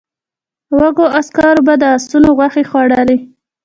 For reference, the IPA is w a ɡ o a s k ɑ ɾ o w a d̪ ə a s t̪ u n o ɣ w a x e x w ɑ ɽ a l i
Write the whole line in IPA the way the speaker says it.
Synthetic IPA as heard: w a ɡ o a s k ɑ ɾ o b a d̪ ə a s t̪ u n o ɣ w a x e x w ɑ ɽ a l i